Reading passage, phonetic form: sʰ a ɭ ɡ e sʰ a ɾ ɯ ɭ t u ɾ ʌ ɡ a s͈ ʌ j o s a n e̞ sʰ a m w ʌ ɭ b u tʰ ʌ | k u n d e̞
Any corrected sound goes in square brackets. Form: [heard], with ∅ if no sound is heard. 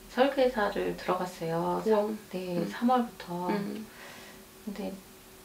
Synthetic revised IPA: sʰ [ʌ] ɭ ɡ e sʰ a ɾ ɯ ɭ t [ɯ] ɾ ʌ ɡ a s͈ ʌ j o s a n e̞ sʰ a m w ʌ ɭ b u tʰ ʌ | k [ɯ] n d e̞